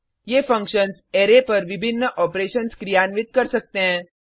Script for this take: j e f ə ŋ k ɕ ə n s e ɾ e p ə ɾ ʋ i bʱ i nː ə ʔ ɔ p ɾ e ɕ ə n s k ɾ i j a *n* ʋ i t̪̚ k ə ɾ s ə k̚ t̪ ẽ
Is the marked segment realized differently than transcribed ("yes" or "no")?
no